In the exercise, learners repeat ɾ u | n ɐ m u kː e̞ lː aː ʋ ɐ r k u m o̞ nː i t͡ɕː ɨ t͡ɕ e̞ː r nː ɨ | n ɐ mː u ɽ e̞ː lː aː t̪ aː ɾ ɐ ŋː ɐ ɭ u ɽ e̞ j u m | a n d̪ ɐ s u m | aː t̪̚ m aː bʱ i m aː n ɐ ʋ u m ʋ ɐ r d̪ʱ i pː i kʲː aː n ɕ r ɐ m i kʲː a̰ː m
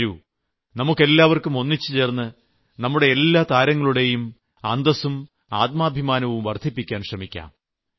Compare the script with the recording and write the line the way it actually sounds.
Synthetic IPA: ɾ u | n ɐ m u kː e̞ lː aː ʋ ɐ r k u m o̞ nː i t͡ɕː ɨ t͡ɕ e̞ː r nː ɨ | n ɐ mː u ɽ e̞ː lː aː t̪ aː ɾ ɐ ŋː ɐ ɭ u ɽ e̞ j u m | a n d̪ ɐ s u m | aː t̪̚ m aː bʱ i m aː n ɐ ʋ u m ʋ ɐ r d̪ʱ i pː i kʲː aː n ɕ r ɐ m i kʲː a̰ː m